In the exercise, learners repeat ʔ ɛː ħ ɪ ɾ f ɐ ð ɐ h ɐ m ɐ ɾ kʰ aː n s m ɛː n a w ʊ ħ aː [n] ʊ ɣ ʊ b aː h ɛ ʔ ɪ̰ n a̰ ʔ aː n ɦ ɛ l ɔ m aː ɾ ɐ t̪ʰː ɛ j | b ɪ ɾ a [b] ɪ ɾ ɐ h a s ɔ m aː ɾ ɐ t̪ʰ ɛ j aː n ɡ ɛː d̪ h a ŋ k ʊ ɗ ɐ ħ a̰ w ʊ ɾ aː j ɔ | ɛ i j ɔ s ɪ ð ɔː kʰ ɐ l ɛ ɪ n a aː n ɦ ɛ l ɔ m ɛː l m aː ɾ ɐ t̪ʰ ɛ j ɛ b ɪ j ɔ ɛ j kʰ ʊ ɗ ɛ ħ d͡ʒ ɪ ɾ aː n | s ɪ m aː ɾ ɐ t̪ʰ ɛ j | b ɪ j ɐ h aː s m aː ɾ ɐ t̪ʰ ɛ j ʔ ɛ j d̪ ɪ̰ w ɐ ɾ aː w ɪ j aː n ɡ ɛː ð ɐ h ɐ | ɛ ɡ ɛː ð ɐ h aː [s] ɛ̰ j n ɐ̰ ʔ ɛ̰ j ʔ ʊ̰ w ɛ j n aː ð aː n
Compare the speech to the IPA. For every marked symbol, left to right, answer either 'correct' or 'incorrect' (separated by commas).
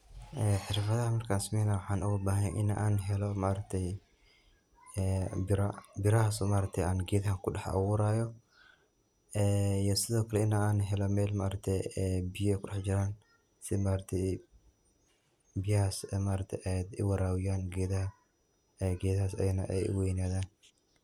correct, correct, correct